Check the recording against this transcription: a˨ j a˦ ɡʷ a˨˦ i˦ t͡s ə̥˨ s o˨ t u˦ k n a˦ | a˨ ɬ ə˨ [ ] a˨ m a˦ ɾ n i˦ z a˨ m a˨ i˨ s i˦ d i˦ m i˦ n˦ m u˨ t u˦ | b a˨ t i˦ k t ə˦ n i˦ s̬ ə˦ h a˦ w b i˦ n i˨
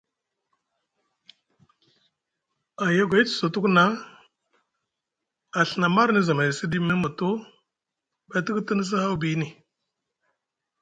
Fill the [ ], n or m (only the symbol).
n